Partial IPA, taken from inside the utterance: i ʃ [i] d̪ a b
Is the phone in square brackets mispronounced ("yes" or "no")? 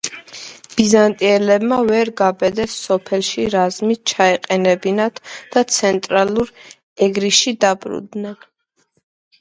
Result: no